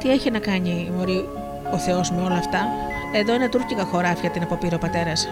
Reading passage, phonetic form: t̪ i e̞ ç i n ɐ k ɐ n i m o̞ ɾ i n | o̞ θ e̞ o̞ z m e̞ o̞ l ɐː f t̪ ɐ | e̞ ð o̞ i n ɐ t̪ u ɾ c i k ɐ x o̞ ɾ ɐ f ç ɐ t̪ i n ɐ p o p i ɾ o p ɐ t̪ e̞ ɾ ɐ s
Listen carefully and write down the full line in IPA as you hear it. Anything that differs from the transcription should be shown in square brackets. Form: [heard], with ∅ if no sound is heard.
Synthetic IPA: t̪ i e̞ ç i n ɐ k ɐ [ɲ] i m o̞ ɾ i [∅] | o̞ θ e̞ o̞ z m e̞ o̞ l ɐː f t̪ ɐ | e̞ ð o̞ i n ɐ t̪ u ɾ c i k ɐ x o̞ ɾ ɐ f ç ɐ t̪ i n ɐ p o p i ɾ o p ɐ t̪ e̞ ɾ ɐ s